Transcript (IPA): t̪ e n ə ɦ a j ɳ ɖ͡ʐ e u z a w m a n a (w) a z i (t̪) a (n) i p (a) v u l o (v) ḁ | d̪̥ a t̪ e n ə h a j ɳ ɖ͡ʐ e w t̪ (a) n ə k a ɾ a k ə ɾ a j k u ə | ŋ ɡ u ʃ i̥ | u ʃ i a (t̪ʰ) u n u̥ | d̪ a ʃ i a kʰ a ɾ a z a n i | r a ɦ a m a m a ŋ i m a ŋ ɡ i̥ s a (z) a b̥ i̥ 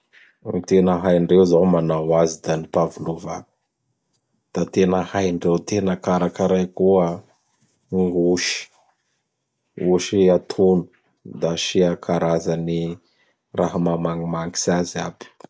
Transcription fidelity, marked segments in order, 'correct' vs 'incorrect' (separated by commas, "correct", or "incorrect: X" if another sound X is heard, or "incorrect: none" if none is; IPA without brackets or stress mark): correct, incorrect: d̪, correct, correct, correct, incorrect: e, correct, correct